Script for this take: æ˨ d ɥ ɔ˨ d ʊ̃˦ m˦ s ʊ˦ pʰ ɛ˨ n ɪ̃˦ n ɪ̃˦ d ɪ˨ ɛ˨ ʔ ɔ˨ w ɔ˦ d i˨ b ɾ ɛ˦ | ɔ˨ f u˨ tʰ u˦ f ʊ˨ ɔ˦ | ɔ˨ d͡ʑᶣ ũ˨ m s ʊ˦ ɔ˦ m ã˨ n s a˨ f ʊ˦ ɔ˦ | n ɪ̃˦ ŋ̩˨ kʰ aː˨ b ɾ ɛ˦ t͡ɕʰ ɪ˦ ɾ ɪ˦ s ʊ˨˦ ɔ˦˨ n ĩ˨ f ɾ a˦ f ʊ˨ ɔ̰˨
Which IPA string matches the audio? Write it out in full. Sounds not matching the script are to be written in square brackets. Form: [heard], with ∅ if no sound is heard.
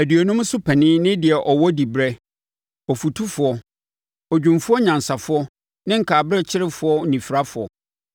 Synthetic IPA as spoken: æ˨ d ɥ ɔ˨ [n] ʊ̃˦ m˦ s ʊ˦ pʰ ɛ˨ n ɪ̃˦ n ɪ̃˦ d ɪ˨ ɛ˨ ʔ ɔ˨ w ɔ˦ d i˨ b ɾ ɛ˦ | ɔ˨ f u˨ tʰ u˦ f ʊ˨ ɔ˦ | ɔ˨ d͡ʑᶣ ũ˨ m [f] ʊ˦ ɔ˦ [ɲ] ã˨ n s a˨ f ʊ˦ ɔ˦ | n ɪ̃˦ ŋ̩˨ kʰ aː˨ b ɾ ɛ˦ t͡ɕʰ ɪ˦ ɾ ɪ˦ [f] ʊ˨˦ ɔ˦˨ n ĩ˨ f ɾ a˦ f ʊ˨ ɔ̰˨

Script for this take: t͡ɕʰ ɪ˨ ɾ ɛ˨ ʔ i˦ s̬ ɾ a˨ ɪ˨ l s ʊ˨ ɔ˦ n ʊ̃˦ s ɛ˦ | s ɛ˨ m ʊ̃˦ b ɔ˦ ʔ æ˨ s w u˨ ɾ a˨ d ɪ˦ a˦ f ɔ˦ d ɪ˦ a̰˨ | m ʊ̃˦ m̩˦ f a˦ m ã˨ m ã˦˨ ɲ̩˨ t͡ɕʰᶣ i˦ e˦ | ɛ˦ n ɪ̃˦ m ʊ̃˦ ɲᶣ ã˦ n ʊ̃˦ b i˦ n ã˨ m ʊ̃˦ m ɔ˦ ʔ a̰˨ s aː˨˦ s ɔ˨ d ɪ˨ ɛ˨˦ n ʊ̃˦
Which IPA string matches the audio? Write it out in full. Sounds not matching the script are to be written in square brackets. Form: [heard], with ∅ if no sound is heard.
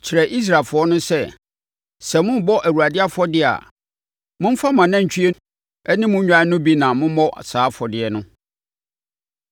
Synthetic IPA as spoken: t͡ɕʰ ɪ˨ ɾ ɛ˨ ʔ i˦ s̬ ɾ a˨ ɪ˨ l [f] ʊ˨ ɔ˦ n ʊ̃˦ s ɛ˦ | s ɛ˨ m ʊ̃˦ b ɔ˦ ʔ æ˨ [∅] w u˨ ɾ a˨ d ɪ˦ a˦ f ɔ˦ d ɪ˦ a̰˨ | m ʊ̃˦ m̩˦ f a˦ m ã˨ [n] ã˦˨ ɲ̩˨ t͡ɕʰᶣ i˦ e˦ | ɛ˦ n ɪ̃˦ m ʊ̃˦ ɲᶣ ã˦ n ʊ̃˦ b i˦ n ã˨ m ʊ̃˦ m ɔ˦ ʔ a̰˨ s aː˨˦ [f] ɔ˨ d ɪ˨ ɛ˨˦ n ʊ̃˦

